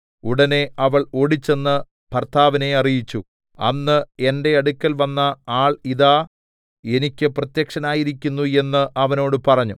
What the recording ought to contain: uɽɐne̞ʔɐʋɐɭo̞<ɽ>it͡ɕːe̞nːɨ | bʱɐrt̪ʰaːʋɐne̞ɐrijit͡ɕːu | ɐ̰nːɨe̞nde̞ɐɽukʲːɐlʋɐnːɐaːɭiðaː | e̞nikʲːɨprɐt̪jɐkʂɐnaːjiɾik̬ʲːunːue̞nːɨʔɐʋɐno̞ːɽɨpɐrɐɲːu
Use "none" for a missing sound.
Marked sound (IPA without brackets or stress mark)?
ɽ